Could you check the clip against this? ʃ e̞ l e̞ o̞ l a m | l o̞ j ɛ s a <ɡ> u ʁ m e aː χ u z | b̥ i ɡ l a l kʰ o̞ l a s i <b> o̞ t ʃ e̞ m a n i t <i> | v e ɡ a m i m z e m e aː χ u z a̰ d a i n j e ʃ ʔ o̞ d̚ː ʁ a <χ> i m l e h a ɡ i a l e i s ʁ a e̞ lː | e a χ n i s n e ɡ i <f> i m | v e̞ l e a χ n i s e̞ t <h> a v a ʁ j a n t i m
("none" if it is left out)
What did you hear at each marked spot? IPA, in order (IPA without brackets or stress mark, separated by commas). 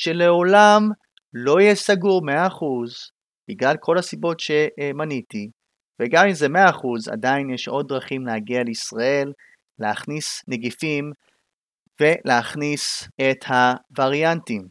ɡ, b, i, χ, f, h